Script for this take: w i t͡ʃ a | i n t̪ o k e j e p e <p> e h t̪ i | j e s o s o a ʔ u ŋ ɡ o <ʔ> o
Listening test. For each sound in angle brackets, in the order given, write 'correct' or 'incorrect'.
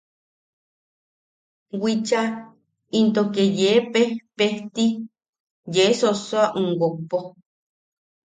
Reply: correct, incorrect

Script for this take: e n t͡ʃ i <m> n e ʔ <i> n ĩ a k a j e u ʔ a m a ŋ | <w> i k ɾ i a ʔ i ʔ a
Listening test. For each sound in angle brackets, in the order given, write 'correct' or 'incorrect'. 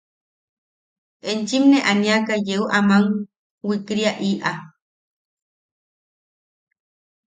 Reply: correct, incorrect, correct

